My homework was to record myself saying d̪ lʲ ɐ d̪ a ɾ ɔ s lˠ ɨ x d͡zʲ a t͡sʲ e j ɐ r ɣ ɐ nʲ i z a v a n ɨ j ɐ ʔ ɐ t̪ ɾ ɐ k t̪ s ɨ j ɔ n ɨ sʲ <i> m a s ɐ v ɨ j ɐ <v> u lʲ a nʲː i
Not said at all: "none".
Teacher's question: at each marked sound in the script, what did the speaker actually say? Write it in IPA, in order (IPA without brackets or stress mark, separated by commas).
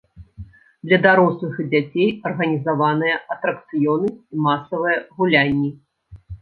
i, ɣ